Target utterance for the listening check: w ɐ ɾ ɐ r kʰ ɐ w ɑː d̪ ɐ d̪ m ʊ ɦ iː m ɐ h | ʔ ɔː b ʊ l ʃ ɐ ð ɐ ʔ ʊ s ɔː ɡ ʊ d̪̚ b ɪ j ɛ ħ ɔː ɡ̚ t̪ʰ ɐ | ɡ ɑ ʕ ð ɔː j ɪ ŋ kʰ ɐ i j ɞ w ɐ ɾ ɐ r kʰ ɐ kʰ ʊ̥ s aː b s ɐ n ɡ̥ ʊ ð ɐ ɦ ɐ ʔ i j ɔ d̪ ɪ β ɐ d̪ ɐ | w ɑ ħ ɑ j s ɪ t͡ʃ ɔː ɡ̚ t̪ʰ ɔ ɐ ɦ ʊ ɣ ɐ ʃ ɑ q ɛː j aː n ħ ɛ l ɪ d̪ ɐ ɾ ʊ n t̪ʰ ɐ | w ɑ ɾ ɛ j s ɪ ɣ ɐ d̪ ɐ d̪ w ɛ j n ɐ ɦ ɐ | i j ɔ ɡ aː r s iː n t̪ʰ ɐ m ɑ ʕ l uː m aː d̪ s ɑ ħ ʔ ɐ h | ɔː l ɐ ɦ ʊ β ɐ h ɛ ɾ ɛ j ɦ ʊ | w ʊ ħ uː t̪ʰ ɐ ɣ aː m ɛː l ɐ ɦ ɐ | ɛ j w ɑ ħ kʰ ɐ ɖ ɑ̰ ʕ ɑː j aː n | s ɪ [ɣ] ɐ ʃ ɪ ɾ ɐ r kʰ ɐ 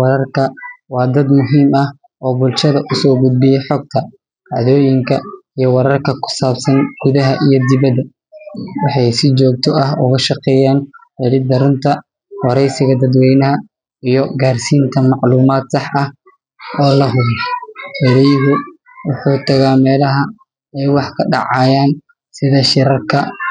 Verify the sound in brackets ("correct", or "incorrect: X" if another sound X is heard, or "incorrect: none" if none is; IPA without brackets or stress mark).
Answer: incorrect: ð